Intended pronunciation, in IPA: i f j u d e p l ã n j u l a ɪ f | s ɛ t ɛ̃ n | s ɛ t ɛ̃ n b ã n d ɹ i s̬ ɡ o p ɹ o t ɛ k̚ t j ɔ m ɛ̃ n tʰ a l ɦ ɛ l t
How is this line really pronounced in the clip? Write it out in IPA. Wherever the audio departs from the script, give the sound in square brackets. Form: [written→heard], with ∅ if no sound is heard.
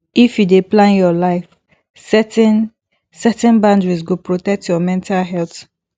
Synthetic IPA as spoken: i f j u d e p l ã n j [u→ɔ] l a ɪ f | s ɛ t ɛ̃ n | s ɛ t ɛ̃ n b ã n d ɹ i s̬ ɡ o p ɹ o t ɛ k̚ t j ɔ m ɛ̃ n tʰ a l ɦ ɛ l t